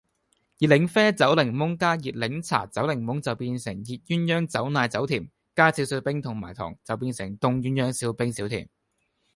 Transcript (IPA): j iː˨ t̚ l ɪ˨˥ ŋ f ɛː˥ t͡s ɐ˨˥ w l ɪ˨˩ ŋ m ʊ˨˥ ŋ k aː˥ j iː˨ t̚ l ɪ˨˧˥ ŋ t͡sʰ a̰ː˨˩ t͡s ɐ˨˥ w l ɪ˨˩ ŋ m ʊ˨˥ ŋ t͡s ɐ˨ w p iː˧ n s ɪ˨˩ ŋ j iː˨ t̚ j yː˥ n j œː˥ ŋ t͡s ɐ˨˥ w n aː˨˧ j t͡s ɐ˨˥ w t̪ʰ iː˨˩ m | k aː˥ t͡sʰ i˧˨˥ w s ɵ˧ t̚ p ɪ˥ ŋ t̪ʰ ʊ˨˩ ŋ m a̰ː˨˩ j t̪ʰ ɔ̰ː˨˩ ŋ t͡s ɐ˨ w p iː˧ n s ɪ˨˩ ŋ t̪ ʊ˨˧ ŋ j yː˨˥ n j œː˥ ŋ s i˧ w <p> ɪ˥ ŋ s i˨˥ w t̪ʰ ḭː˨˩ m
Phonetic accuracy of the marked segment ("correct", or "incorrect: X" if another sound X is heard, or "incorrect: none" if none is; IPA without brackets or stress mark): correct